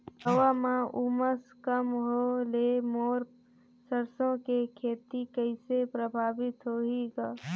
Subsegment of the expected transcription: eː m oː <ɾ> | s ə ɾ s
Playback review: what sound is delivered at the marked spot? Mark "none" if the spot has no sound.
ɾ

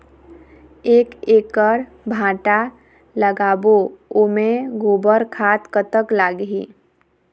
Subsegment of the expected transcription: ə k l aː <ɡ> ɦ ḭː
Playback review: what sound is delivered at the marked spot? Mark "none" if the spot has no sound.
ɡ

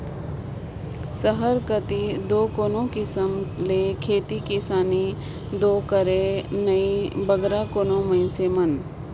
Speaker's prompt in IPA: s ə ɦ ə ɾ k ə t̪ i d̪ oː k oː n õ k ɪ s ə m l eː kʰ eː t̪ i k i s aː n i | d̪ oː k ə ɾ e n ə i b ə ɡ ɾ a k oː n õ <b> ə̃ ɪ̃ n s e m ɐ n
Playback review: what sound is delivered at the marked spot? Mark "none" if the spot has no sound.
m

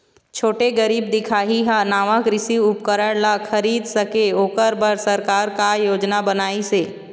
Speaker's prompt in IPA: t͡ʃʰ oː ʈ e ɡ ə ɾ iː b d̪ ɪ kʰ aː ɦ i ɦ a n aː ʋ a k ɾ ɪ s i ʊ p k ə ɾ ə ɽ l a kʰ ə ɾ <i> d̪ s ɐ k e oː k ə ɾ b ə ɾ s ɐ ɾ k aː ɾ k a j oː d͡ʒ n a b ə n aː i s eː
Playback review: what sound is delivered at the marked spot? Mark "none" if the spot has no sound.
iː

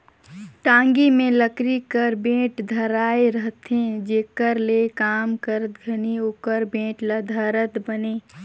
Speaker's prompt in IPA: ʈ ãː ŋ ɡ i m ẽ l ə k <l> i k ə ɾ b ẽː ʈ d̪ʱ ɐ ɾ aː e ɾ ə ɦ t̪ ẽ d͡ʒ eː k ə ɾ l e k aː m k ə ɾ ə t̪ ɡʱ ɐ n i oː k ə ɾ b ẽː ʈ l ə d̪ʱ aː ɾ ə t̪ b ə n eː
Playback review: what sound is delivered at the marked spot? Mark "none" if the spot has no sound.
ɾ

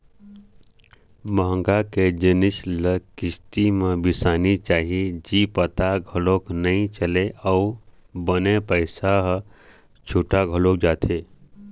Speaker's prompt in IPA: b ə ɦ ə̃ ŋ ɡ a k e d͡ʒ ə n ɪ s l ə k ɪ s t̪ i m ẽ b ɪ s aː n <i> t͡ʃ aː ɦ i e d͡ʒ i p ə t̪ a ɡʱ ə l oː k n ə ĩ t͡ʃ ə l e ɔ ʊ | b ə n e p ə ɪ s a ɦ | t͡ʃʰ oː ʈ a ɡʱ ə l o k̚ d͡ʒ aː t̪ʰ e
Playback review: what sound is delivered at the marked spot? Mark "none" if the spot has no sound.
i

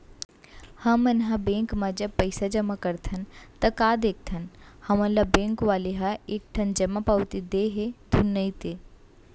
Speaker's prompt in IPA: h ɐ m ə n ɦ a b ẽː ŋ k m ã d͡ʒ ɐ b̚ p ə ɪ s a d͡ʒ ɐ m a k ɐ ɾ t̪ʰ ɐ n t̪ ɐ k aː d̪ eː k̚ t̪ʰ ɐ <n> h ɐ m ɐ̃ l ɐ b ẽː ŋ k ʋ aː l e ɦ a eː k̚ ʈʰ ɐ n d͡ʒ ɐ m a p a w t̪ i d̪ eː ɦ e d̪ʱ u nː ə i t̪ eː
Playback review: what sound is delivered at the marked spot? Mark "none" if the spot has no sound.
n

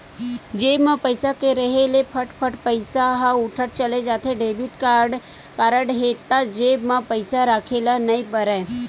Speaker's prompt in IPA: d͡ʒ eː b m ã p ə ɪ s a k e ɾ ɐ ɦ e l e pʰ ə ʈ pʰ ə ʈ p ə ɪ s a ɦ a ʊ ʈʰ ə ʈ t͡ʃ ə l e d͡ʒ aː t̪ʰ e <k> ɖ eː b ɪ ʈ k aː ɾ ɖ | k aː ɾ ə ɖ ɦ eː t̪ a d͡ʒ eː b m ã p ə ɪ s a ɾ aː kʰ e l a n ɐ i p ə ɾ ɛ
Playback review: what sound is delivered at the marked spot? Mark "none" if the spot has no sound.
none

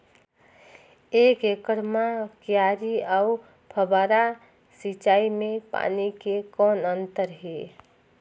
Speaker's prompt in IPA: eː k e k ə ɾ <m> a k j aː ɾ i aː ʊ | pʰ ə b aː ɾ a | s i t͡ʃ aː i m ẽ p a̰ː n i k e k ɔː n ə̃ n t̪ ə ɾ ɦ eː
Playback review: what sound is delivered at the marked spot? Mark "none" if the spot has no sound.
m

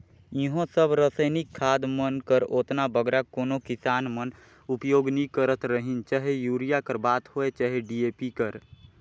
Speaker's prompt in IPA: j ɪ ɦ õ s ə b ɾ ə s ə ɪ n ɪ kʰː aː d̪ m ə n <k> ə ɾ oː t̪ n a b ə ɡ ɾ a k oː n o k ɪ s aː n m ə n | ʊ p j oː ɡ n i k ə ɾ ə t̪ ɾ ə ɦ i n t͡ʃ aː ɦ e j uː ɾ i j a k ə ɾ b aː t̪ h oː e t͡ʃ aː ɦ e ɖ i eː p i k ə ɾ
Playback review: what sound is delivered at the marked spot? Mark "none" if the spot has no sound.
k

